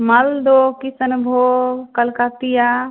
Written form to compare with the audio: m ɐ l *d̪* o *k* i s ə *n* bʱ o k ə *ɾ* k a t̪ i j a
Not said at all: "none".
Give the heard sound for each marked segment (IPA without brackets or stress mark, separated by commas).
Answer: d̪, k, n, l